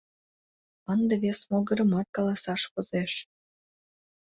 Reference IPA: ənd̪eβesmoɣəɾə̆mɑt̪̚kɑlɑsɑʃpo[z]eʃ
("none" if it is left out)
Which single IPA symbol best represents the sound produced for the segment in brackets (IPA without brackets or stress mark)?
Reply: z